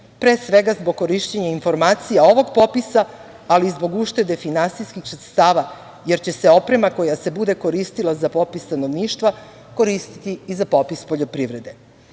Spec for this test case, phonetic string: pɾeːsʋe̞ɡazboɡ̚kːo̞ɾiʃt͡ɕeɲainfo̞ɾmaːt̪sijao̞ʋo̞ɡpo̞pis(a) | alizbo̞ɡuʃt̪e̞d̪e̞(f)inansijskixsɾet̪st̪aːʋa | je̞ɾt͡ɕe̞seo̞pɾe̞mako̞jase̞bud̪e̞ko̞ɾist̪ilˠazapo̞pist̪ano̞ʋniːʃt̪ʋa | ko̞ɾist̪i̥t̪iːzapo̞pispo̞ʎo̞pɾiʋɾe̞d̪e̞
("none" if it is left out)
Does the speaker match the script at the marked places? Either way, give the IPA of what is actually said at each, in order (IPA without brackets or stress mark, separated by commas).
a, f